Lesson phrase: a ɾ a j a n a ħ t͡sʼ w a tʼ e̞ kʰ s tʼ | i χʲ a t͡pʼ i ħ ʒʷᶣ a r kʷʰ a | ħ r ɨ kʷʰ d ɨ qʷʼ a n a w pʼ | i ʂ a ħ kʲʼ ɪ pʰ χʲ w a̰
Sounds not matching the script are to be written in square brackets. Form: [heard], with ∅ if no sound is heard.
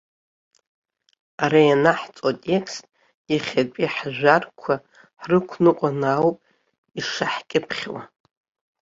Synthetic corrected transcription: a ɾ a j a n a ħ t͡sʼ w a tʼ e̞ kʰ s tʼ | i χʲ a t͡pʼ i ħ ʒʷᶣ a r kʷʰ a | ħ r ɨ kʷʰ [n] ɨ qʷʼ a n a w pʼ | i ʂ a ħ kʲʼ ɪ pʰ χʲ w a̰

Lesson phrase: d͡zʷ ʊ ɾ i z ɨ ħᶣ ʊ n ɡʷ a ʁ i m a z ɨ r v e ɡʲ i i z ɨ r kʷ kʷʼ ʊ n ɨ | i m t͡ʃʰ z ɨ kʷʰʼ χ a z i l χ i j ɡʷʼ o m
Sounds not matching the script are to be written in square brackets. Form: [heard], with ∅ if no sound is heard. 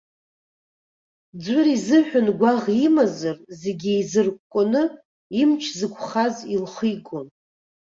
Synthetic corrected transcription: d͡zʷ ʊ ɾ i z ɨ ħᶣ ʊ n ɡʷ a ʁ i m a z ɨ r [z] e ɡʲ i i z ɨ r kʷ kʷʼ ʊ n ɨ | i m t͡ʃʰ z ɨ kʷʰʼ χ a z i l χ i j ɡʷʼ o [n]

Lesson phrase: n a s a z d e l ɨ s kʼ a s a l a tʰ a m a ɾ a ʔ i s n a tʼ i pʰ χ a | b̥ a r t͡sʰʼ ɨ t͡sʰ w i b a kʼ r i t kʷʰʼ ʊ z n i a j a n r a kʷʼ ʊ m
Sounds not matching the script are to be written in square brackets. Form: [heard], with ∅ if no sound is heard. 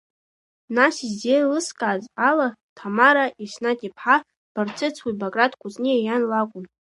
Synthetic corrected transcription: n a s [i] z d e l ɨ s kʼ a [z] a l a tʰ a m a ɾ a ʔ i s n a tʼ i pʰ [ħ] a | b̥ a r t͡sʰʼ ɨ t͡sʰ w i b a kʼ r [a] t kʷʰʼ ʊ z n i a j a n [l] a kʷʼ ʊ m

